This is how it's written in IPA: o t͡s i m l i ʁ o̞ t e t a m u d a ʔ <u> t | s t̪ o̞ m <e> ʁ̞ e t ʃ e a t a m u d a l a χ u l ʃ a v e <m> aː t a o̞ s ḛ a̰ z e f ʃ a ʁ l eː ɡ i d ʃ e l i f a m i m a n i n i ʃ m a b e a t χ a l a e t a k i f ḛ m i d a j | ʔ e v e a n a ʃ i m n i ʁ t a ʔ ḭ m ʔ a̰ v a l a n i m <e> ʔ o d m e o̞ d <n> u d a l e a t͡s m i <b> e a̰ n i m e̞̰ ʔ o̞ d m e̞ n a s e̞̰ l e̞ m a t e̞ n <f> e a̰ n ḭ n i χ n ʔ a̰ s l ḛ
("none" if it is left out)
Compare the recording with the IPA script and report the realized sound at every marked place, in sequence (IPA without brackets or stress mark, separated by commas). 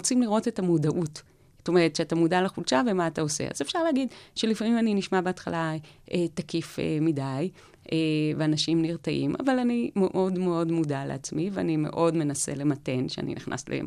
u, e, m, e, m, v, ʃ